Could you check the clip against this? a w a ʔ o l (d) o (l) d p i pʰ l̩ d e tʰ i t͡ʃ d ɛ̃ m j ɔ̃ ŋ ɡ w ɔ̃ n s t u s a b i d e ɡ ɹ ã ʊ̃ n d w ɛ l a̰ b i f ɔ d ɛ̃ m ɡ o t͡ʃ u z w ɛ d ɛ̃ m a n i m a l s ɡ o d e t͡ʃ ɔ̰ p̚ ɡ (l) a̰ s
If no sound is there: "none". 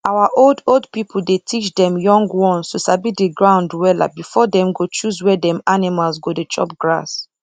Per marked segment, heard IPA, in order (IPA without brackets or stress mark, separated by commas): d, l, ɹ